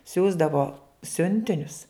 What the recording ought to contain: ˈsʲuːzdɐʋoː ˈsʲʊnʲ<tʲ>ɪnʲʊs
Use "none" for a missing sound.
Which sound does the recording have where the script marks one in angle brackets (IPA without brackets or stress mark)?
tʲ